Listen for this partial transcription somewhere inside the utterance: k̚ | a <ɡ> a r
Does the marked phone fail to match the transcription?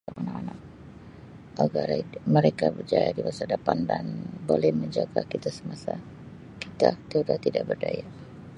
no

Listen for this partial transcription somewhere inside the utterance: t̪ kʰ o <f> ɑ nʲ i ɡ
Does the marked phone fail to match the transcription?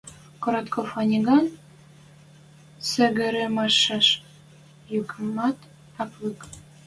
no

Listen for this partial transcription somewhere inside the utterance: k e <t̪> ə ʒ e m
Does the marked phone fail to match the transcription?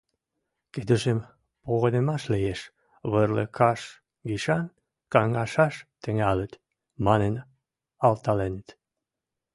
yes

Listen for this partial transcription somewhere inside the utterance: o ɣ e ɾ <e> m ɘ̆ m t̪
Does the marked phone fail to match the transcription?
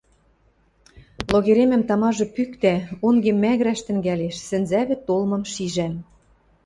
no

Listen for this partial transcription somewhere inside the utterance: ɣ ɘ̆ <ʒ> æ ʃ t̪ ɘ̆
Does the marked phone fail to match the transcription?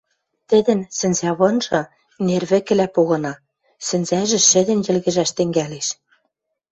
no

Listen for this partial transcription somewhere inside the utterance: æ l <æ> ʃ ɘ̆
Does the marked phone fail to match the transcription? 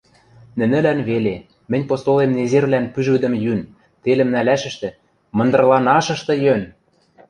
no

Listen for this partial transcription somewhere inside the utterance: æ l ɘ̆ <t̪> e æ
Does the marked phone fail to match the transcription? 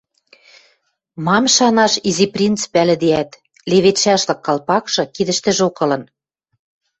yes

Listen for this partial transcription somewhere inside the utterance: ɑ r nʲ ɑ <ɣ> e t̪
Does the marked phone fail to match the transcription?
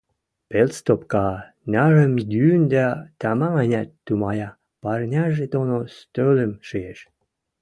yes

